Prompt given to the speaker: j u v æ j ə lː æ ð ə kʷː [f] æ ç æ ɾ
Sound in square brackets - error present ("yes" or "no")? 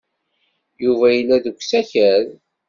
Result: yes